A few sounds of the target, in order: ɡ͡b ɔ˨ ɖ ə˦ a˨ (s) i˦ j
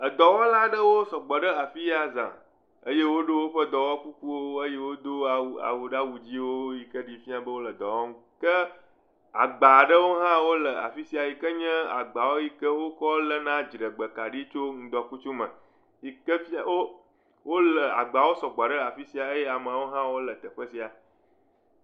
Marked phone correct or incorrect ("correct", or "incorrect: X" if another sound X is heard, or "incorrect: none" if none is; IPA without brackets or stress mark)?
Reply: incorrect: f